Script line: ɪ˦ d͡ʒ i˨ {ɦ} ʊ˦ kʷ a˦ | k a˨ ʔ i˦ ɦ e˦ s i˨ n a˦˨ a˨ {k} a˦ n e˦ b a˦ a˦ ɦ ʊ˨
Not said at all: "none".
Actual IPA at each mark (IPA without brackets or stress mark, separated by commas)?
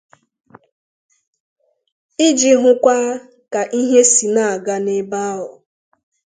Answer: ɦ, ɡ